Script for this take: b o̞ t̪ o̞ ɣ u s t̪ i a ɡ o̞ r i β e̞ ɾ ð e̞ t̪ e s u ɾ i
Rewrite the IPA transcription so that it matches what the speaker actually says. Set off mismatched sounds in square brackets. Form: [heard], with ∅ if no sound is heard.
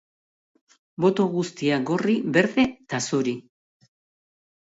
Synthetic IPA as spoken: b o̞ t̪ o̞ ɣ u s t̪ i a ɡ o̞ r i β e̞ ɾ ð e̞ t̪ [a] s u ɾ i